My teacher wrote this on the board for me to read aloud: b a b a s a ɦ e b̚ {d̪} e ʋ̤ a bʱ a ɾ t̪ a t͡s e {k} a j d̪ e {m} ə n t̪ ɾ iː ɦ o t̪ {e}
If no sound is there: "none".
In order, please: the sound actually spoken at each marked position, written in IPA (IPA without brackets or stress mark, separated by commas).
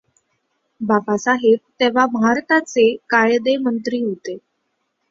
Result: t̪, k, m, e